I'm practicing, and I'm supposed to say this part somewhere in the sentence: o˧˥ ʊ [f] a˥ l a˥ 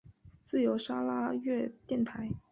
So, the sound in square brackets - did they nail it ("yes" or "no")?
no